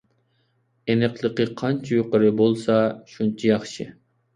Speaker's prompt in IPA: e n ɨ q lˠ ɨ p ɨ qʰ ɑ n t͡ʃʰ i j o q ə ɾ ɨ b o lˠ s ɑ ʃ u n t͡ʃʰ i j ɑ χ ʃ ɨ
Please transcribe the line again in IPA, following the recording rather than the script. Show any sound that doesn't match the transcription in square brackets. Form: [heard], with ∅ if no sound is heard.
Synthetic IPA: e n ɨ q lˠ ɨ [q] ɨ qʰ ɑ n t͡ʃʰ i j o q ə ɾ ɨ b o lˠ s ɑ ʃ u n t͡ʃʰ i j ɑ χ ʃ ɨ